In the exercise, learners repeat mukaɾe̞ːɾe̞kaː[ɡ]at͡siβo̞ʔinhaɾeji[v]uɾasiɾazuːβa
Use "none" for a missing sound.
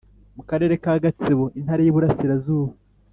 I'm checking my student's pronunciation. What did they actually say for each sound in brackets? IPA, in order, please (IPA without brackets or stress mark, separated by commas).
ɡ, β